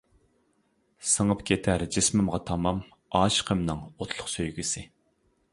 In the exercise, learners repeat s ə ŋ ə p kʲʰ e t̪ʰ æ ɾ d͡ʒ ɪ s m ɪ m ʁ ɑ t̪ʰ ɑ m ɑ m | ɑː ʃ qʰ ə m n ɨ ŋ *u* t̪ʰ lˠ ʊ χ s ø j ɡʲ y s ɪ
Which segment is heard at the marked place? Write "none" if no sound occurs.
o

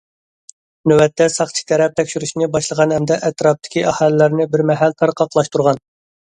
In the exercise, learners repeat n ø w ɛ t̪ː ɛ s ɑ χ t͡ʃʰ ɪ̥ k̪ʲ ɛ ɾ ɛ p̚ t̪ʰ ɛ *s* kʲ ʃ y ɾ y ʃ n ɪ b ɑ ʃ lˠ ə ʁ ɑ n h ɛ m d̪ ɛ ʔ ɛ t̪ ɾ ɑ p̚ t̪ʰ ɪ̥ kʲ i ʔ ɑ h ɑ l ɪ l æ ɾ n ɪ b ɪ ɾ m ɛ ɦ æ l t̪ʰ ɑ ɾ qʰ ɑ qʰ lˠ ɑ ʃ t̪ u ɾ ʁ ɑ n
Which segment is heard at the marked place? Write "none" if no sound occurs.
none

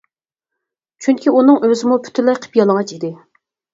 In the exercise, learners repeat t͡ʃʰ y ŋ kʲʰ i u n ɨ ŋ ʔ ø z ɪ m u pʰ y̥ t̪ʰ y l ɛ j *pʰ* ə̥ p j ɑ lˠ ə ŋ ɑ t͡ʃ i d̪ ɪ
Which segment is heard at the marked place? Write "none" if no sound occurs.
qʰ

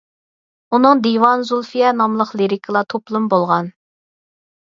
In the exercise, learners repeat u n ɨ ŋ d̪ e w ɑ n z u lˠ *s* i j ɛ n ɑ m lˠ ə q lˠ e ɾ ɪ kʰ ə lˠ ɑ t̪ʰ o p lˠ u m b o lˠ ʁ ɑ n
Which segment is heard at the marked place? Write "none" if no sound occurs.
f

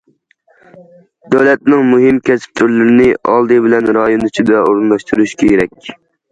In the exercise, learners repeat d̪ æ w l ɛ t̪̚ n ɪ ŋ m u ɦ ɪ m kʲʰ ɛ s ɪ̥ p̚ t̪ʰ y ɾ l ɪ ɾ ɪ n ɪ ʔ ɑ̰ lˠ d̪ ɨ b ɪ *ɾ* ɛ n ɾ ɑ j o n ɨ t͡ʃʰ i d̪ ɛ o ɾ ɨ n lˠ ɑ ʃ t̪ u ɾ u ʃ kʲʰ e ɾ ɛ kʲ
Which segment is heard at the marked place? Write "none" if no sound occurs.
l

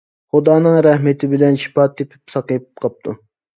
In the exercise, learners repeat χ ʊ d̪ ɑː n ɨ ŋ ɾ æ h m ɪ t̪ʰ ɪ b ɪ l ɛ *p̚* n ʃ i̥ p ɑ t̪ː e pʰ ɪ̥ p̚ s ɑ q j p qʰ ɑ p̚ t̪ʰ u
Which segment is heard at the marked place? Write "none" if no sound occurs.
none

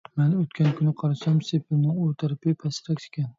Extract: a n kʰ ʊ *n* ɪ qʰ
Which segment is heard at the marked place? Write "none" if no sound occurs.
n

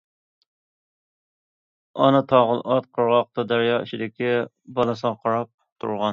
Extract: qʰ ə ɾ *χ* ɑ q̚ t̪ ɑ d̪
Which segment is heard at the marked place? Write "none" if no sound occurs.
ʁ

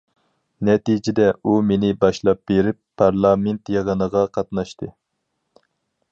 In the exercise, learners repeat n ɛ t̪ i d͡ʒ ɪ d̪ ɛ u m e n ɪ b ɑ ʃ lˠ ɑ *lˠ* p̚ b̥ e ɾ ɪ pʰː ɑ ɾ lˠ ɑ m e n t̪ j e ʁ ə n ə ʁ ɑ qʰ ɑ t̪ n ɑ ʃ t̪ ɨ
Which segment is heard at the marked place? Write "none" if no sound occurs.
none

